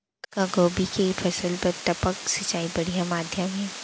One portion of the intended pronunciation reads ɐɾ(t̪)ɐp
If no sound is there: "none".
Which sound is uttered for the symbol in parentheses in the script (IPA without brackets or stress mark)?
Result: t̪